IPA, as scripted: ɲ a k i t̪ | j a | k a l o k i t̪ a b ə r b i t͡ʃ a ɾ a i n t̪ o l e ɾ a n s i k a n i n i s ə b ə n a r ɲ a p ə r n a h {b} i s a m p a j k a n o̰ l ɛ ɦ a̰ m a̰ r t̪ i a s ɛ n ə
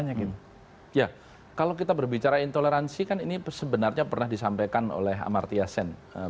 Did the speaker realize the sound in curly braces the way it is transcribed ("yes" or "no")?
no